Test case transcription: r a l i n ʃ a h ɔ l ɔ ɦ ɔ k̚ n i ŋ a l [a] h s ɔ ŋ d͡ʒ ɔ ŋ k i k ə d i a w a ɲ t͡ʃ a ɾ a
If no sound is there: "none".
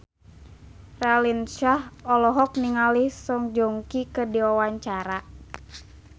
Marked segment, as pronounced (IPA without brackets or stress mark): i